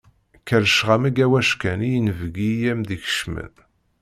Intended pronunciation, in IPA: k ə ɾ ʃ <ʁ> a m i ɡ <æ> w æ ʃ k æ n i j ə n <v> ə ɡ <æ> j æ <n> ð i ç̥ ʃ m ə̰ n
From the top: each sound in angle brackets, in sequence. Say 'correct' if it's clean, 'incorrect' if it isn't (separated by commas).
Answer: correct, correct, correct, incorrect, incorrect